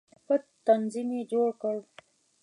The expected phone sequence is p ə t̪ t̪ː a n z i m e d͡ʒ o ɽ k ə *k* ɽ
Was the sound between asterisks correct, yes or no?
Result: no